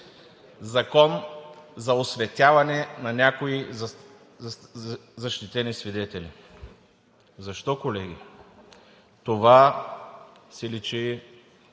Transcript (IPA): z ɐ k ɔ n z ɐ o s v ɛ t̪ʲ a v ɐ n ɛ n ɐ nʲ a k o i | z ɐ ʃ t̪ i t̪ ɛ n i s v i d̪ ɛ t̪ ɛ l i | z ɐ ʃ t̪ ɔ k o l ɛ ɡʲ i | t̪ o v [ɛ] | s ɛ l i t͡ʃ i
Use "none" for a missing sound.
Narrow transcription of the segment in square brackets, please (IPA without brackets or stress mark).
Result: a